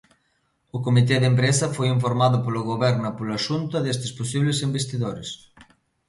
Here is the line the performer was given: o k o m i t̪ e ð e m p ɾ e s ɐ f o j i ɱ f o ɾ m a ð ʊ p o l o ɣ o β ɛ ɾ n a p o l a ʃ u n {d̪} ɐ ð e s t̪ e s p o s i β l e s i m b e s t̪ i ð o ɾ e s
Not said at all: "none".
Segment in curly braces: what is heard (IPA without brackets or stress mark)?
t̪